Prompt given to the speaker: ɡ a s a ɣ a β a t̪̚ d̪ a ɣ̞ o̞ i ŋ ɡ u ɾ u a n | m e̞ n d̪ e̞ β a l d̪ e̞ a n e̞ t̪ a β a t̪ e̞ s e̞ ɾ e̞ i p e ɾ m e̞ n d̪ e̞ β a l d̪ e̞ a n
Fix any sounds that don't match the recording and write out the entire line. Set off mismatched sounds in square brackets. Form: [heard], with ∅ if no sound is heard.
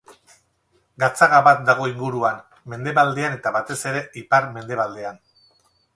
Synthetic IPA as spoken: ɡ a [t͡s] a ɣ a β a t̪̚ d̪ a ɣ̞ o̞ i ŋ ɡ u ɾ u a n | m e̞ n d̪ e̞ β a l d̪ e̞ a n e̞ t̪ a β a t̪ e̞ s e̞ ɾ e̞ i p [a] ɾ m e̞ n d̪ e̞ β a l d̪ e̞ a n

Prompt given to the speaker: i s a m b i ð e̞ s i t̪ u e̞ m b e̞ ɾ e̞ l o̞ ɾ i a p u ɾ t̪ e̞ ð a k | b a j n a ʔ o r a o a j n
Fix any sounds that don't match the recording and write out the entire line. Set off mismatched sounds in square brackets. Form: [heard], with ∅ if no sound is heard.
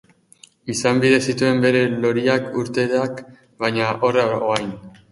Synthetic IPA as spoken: i s a m b i ð e̞ s i t̪ u e̞ m b e̞ ɾ e̞ l o̞ ɾ i a [k] u ɾ t̪ e̞ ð a k | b a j [ɲ] a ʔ o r a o a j n

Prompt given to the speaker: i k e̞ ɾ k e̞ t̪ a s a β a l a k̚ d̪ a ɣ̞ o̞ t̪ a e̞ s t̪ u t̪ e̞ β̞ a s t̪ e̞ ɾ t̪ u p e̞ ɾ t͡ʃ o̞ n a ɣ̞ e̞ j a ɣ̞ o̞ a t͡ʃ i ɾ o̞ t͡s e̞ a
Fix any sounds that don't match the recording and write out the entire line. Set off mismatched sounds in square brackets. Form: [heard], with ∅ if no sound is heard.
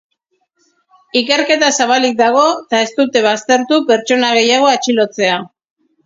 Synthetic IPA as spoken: i k e̞ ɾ k e̞ t̪ a s a β a l [i] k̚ d̪ a ɣ̞ o̞ t̪ a e̞ s t̪ u t̪ e̞ β̞ a s t̪ e̞ ɾ t̪ u p e̞ ɾ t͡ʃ o̞ n a ɣ̞ e̞ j a ɣ̞ o̞ a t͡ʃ i [l] o̞ t͡s e̞ a

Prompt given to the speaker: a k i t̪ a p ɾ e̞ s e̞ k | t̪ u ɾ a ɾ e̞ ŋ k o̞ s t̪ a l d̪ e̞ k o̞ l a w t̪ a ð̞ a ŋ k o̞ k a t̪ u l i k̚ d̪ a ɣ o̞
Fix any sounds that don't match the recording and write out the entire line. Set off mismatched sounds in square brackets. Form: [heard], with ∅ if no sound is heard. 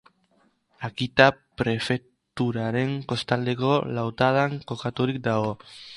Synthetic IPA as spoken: a k i t̪ a p ɾ e̞ [f] e̞ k | t̪ u ɾ a ɾ e̞ ŋ k o̞ s t̪ a l d̪ e̞ k o̞ l a w t̪ a ð̞ a ŋ k o̞ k a t̪ u [ɾ] i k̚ d̪ a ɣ o̞

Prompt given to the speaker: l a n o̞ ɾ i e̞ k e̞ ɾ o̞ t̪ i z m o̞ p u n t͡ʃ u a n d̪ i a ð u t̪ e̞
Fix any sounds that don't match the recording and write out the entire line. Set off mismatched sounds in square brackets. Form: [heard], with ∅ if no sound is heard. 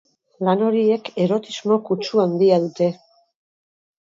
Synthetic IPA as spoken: l a n o̞ ɾ i e̞ k e̞ ɾ o̞ t̪ i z m o̞ [k] u [∅] t͡ʃ u a n d̪ i a ð u t̪ e̞

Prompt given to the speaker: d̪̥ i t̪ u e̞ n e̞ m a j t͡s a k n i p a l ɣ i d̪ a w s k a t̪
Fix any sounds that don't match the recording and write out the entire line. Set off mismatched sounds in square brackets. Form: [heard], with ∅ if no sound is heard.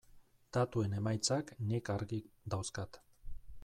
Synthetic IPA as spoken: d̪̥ [a] t̪ u e̞ n e̞ m a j t͡s a k n i [k] a [ɾ] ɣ i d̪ a w s k a t̪

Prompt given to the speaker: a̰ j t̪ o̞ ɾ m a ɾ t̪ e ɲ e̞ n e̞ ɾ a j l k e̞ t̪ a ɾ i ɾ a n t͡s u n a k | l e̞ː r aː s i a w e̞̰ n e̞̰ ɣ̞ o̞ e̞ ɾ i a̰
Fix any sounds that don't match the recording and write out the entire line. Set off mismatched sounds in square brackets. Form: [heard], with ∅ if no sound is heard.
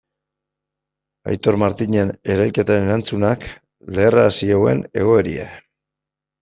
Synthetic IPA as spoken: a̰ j t̪ o̞ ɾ m a ɾ t̪ [i] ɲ e̞ n e̞ ɾ a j l k e̞ t̪ a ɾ [e] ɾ a n t͡s u n a k | l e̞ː r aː s i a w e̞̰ n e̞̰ ɣ̞ o̞ e̞ ɾ i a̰

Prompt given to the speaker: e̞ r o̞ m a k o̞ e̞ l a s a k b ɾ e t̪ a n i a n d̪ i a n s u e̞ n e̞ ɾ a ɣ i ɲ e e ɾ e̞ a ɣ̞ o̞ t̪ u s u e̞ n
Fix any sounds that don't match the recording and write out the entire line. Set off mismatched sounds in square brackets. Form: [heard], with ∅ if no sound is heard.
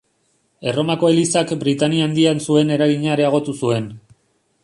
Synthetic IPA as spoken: e̞ r o̞ m a k o̞ e̞ l [i] s a k b ɾ [i] t̪ a n i a n d̪ i a n s u e̞ n e̞ ɾ a ɣ i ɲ [a] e ɾ e̞ a ɣ̞ o̞ t̪ u s u e̞ n

